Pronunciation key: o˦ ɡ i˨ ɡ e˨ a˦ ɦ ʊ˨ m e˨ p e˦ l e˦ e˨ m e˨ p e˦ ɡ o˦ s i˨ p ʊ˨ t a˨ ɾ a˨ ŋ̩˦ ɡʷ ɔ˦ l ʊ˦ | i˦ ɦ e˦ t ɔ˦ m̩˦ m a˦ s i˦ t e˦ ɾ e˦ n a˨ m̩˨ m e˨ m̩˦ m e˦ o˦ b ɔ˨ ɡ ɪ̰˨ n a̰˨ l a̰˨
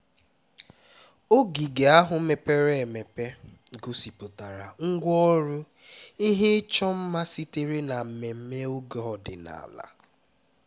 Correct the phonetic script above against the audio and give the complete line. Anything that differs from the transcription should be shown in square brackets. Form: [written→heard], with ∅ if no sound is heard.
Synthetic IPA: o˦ ɡ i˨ ɡ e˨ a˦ ɦ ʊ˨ m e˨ p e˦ [l→ɾ] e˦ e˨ m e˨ p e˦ ɡ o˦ s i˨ p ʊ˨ t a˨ ɾ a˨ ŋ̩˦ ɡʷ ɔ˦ [l→ɾ] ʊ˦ | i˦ ɦ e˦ [t→t͡ʃ] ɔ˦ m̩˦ m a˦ s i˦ t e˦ ɾ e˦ n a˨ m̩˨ m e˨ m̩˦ m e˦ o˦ [b→ɡ] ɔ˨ [ɡ→d] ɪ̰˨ n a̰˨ l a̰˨